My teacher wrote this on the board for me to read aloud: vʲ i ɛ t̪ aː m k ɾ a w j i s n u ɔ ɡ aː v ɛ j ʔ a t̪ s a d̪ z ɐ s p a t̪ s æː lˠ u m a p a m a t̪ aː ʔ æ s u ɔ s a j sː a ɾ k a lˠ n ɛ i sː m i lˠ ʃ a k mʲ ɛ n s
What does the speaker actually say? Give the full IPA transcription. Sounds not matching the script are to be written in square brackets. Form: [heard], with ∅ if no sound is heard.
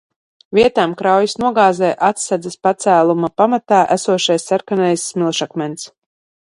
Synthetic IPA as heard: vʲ i ɛ t̪ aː m k ɾ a w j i s n u ɔ ɡ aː [z] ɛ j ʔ a t̪ s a d̪ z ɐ s p a t̪ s æː lˠ u m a p a m a t̪ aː ʔ æ s u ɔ [ʃ] a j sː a ɾ k a [∅] n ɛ [j] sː m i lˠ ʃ a k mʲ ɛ n s

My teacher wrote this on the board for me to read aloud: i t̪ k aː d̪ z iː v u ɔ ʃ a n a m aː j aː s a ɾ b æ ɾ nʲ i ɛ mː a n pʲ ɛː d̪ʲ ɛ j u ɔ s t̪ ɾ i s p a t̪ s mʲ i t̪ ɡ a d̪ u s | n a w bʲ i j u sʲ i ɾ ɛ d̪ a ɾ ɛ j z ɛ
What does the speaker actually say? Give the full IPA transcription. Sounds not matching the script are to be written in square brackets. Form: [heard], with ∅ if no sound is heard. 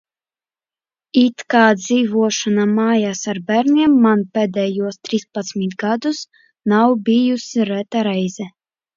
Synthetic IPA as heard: i t̪ k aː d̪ z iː v u ɔ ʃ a n a m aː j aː s a ɾ b æ ɾ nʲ i ɛ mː a n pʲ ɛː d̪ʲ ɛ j u ɔ s t̪ ɾ i s p a t̪ s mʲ i t̪ ɡ a d̪ u s | n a w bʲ i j u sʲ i ɾ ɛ [t̪] a ɾ ɛ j z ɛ

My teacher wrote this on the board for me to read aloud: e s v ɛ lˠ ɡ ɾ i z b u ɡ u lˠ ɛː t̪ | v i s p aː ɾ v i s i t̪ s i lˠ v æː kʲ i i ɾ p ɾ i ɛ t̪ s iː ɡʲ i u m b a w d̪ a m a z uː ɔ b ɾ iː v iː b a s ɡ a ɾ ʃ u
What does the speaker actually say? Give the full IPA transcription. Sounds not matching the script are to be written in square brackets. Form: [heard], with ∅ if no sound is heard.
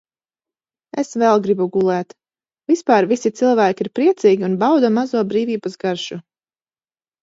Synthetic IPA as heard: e s v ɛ lˠ ɡ ɾ i [∅] b u ɡ u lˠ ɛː t̪ | v i s p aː ɾ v i s i t̪ s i lˠ v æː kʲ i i ɾ p ɾ i ɛ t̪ s iː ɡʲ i u [n] b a w d̪ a m a z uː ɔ b ɾ iː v iː b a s ɡ a ɾ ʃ u

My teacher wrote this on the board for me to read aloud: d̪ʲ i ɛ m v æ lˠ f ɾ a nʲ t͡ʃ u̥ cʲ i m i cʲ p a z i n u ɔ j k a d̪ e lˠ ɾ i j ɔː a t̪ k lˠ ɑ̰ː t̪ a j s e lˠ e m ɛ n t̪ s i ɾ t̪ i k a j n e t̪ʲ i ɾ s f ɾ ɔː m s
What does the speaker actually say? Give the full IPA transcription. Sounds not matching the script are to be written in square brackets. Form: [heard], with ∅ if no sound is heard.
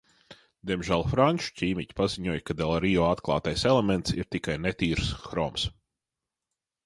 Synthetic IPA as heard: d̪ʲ i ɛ m [ʒ] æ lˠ f ɾ a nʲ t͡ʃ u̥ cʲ [iː] m i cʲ p a z i [ɲ] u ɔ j k a d̪ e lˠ ɾ i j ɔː a t̪ k lˠ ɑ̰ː t̪ a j s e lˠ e m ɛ n t̪ s i ɾ t̪ i k a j n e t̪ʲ [iː] ɾ s [x] ɾ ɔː m s

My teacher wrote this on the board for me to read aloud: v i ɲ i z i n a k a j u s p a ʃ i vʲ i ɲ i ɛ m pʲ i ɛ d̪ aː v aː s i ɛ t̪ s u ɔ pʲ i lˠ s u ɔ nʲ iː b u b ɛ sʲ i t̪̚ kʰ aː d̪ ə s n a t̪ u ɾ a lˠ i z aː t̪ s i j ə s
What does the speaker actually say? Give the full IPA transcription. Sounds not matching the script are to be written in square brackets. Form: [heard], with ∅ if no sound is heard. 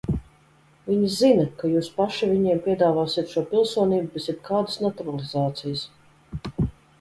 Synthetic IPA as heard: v i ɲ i z i n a k a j [uː] s p a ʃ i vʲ i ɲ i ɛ m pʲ i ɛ d̪ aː v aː s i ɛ t̪ [ʃ] u ɔ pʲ i lˠ s u ɔ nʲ iː b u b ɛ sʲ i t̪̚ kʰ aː d̪ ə s n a t̪ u ɾ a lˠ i z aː t̪ s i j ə s

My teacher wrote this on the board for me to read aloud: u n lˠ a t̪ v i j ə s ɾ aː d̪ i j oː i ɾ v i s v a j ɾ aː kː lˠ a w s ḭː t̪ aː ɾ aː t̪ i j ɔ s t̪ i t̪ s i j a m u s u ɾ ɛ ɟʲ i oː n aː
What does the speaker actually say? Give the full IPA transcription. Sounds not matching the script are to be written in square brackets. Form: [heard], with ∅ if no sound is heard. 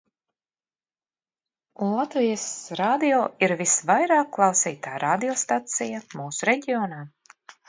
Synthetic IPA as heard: u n lˠ a t̪ v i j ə s ɾ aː d̪ i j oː i ɾ v i s v a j ɾ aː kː lˠ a w s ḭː t̪ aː ɾ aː [d̪] i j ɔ s t̪ [a] t̪ s i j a m [uː] s u ɾ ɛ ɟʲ i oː n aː

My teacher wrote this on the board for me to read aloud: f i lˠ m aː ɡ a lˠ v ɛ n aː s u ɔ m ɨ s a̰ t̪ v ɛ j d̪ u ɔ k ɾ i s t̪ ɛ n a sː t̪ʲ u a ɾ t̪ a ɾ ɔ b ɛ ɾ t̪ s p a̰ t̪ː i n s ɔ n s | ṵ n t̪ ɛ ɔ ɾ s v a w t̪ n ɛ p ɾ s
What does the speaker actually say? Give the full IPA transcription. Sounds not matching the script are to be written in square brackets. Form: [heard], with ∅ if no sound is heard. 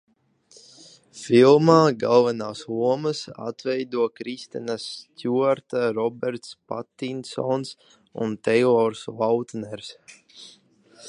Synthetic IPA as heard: f i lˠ m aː ɡ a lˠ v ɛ n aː s u ɔ m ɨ s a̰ t̪ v ɛ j d̪ u ɔ k ɾ i s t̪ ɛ n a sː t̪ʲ u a ɾ t̪ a ɾ ɔ b ɛ ɾ t̪ s p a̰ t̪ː i n s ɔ n s | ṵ n t̪ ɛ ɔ ɾ s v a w t̪ n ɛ [∅] ɾ s

